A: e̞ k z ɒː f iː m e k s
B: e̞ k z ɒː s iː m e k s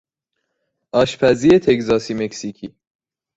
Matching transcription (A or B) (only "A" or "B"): B